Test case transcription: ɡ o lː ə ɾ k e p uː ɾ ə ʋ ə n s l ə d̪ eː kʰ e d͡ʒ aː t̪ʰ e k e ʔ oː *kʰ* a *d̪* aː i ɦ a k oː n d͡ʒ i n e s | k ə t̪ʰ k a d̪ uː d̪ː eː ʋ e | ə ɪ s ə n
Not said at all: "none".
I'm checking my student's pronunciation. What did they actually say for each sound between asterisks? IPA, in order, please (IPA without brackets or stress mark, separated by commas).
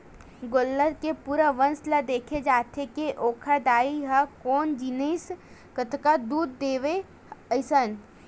kʰ, d̪